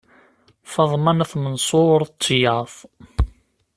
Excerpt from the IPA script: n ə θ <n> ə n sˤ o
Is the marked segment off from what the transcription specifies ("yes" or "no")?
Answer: yes